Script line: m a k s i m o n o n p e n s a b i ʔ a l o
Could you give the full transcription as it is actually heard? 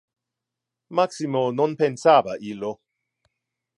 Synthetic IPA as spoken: m a k s i m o n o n p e n s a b a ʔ i l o